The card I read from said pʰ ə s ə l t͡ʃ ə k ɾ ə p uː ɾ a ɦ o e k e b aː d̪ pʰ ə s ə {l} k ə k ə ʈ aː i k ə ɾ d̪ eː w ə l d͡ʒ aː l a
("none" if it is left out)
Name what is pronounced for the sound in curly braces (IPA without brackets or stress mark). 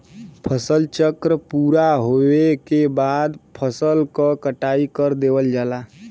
l